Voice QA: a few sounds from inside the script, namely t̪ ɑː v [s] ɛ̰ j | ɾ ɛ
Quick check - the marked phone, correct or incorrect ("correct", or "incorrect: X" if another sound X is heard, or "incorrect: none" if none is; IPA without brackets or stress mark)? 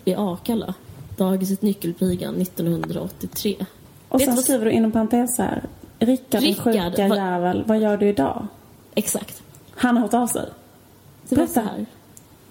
correct